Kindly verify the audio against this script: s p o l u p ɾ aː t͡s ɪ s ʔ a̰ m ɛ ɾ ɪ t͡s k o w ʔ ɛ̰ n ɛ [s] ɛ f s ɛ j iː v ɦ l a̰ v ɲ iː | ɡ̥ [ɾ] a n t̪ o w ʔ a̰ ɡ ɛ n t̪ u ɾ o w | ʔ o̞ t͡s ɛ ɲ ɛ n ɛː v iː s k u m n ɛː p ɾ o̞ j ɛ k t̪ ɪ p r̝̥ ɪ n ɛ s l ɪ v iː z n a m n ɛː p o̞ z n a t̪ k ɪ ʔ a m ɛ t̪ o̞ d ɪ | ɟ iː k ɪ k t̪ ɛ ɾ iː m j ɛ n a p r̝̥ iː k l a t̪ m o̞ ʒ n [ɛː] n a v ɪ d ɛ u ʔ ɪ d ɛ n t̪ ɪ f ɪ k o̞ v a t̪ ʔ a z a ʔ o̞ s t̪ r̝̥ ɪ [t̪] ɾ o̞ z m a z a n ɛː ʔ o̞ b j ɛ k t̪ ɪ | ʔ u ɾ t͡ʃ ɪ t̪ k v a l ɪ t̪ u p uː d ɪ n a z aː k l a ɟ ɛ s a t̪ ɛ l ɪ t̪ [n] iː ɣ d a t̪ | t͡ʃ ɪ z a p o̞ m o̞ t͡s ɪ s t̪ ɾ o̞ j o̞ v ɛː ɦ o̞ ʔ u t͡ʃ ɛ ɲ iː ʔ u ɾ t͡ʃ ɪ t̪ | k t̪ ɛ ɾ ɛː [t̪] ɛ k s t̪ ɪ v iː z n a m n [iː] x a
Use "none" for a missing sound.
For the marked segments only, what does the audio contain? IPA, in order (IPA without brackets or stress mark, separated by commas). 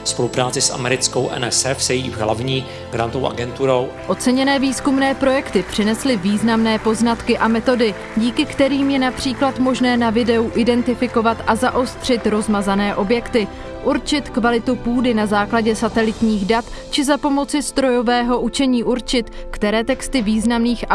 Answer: s, ɾ, ɛː, t̪, ɲ, t̪, iː